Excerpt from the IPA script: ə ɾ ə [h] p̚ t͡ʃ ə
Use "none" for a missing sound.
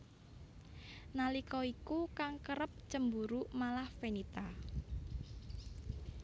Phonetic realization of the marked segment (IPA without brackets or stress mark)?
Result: none